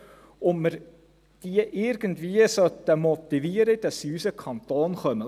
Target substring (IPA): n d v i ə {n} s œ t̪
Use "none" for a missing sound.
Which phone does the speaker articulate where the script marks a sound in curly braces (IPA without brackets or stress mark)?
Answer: none